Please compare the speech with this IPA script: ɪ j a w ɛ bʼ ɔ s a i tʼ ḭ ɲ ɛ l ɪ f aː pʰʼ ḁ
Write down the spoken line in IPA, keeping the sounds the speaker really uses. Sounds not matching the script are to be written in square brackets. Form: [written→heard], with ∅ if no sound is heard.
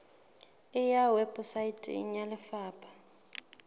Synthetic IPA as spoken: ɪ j a w ɛ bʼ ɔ s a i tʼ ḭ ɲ [ɛ→a] l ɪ f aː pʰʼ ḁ